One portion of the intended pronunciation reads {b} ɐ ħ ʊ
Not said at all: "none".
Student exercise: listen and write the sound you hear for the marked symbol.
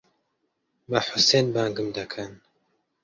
b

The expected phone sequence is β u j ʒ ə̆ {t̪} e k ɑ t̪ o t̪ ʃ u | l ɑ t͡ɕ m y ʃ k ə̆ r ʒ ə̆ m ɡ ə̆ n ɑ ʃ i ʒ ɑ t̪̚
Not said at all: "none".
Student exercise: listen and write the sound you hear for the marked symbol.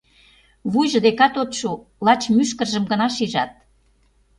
d̪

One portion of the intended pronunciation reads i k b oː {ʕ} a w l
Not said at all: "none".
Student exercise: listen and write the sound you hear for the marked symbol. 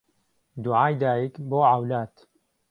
ʕ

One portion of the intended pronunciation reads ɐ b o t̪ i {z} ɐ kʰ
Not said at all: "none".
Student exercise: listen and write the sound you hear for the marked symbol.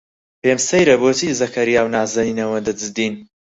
z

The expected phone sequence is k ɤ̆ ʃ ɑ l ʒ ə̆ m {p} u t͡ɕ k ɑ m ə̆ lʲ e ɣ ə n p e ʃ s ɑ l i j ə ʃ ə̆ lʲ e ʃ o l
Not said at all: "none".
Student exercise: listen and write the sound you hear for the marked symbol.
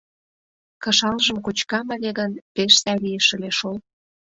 k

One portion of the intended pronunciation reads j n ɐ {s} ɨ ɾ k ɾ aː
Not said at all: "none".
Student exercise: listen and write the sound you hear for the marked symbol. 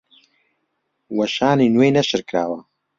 ʃ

